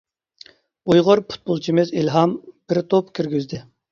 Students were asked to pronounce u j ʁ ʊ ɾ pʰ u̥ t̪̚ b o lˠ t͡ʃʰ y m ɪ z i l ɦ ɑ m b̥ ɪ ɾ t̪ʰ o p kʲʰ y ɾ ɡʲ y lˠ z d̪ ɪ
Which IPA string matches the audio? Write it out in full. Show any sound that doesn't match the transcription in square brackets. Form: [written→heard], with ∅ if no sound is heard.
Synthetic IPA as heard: u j ʁ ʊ ɾ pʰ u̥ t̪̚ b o lˠ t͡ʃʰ [y→i] m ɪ z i l ɦ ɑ m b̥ ɪ ɾ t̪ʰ o p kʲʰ y ɾ ɡʲ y [lˠ→∅] z d̪ ɪ